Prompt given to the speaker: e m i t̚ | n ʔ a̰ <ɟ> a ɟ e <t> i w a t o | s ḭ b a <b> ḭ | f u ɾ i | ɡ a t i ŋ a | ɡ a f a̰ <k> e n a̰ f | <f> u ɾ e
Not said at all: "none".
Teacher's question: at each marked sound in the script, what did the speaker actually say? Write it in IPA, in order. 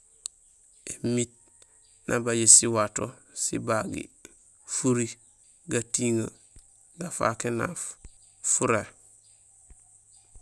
b, s, ɡ, k, f

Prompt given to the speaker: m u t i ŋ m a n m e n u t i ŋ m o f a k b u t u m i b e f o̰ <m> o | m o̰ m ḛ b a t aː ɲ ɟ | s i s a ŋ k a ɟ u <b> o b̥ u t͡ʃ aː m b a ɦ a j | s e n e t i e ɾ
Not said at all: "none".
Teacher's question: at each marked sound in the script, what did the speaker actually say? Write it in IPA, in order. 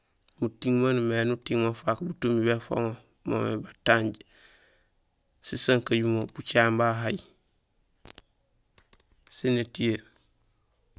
ŋ, m

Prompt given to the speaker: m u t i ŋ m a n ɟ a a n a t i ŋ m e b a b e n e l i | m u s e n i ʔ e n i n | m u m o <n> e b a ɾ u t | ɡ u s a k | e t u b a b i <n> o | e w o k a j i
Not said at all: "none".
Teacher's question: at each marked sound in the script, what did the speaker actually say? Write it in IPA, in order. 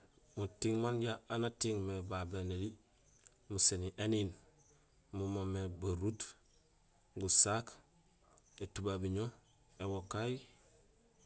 m, ɲ

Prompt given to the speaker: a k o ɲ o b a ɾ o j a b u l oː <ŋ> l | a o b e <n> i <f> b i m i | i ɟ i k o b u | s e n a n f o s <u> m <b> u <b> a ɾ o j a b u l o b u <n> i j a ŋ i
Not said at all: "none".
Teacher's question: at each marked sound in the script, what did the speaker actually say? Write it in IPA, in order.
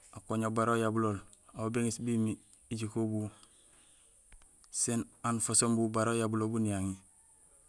none, ŋ, s, o, b, b, n

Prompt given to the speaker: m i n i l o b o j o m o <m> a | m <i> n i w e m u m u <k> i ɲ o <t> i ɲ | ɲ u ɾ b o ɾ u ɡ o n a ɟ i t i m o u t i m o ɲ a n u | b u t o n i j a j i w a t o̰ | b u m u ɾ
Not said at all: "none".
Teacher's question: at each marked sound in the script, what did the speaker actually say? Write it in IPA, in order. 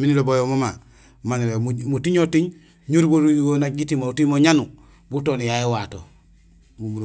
m, a, t, t

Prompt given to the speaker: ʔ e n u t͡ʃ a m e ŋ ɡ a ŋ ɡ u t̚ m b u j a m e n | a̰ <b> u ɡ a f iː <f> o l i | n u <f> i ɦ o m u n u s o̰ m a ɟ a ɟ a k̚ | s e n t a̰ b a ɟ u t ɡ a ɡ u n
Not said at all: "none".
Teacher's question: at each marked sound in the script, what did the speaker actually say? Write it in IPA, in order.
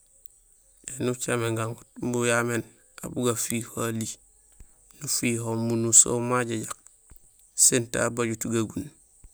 b, h, f

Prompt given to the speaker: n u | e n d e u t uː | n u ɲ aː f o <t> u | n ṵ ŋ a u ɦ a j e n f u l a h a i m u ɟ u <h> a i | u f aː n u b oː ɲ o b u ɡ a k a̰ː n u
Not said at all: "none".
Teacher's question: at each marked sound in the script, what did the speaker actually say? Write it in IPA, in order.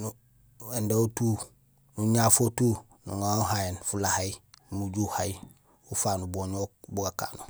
t, h

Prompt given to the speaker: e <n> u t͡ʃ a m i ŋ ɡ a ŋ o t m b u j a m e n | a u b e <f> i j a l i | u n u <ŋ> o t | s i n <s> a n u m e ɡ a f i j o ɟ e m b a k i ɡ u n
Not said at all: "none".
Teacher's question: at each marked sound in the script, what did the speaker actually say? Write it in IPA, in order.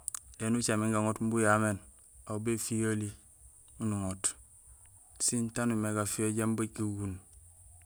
n, f, ŋ, t

